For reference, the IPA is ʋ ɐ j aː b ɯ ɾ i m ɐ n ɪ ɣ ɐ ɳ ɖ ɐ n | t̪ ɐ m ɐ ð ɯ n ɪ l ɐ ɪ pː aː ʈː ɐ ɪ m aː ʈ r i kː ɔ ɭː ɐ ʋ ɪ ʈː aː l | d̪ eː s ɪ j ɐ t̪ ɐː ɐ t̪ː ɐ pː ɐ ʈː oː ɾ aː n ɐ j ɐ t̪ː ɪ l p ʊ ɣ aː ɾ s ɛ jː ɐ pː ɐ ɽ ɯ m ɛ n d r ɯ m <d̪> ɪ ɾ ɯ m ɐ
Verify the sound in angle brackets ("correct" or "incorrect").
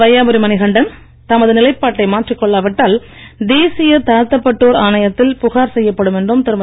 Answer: incorrect